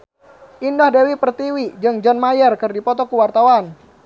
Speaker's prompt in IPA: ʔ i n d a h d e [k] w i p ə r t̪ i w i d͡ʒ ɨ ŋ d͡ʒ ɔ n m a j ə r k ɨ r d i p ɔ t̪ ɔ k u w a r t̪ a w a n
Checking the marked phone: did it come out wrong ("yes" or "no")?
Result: yes